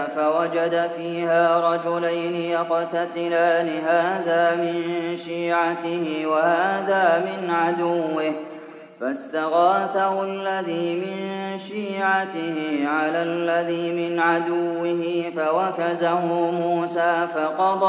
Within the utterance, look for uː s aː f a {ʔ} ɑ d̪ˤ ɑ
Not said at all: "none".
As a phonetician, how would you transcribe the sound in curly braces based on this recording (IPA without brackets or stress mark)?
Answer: q